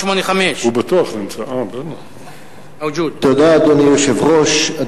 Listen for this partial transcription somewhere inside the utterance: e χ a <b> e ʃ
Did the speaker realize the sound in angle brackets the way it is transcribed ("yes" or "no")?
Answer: no